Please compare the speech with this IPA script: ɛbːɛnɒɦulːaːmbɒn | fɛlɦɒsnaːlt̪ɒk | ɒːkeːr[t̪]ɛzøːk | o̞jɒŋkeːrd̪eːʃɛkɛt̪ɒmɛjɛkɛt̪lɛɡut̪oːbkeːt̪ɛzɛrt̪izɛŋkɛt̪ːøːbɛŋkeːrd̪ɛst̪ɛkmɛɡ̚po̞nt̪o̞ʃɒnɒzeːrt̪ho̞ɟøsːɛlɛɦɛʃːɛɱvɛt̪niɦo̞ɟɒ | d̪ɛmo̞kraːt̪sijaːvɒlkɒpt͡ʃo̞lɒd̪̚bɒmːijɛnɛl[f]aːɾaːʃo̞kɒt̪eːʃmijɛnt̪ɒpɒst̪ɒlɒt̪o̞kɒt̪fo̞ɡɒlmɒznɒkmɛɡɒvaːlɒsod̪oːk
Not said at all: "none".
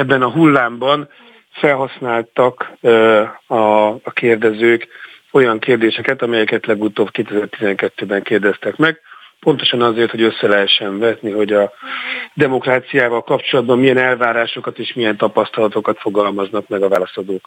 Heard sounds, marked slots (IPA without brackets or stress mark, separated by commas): d̪, v